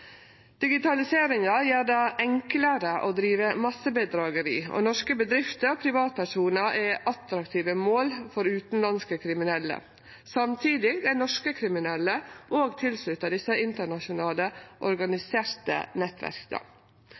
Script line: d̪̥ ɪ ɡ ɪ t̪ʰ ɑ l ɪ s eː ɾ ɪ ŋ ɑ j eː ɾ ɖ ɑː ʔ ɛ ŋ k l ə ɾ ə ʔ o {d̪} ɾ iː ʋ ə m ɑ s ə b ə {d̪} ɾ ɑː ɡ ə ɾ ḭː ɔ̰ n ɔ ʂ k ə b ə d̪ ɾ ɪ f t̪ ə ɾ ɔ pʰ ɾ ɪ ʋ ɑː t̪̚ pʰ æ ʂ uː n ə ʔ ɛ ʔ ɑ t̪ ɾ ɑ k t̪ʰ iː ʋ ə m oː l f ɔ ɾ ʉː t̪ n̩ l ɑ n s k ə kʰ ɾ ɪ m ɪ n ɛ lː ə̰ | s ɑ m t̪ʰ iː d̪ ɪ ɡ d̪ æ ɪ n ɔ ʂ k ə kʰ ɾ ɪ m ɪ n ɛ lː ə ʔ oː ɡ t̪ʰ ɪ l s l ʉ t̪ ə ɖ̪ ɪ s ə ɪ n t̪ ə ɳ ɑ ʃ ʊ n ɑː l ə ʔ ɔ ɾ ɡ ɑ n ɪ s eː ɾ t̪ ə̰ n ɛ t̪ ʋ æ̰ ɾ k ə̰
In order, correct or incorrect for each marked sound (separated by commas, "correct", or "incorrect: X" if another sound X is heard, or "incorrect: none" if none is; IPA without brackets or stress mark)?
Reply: correct, correct